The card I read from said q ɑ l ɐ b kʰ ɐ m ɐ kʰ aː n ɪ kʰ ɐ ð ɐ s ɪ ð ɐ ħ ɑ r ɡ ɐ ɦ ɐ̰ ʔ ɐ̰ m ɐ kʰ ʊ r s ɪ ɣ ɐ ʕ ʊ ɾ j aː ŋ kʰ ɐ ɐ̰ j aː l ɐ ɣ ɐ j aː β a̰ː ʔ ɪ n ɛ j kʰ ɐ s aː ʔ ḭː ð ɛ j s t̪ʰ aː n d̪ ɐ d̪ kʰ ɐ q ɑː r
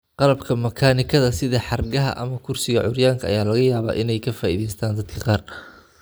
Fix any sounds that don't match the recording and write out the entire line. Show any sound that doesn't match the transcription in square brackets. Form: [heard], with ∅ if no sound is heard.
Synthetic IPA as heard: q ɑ l ɐ b kʰ ɐ m ɐ kʰ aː n ɪ kʰ ɐ ð ɐ s ɪ ð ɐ ħ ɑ r ɡ ɐ ɦ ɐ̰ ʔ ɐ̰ m ɐ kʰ ʊ r s ɪ ɣ ɐ ʕ ʊ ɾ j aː ŋ kʰ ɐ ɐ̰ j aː l ɐ ɣ ɐ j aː β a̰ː ʔ ɪ n ɛ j kʰ ɐ [f] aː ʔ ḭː ð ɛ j s t̪ʰ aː n d̪ ɐ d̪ kʰ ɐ q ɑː r